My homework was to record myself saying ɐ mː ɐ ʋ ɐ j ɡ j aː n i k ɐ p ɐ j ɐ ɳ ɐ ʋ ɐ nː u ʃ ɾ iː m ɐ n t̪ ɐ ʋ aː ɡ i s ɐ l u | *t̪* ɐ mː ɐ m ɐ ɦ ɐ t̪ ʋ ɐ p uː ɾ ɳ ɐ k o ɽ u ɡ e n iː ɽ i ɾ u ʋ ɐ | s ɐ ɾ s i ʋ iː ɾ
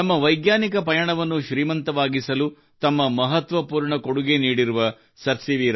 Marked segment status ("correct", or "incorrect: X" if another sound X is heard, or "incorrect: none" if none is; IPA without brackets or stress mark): correct